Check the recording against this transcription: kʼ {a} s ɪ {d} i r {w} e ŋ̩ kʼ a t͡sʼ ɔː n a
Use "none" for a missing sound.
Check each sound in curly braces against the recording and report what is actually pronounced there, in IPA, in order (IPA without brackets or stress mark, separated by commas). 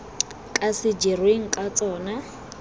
a, d͡ʒ, w